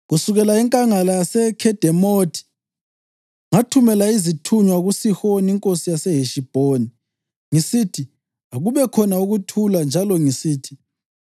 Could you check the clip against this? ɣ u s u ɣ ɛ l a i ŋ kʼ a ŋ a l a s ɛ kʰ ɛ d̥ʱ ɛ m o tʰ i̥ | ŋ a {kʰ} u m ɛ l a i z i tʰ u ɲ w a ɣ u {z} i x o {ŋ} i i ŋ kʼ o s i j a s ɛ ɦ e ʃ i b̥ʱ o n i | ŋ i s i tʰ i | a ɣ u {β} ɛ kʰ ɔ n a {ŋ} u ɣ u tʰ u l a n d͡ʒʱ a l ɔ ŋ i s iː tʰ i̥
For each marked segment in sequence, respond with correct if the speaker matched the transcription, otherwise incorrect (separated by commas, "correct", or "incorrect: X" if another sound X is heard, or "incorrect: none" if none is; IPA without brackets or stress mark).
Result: incorrect: tʰ, incorrect: s, incorrect: n, correct, incorrect: none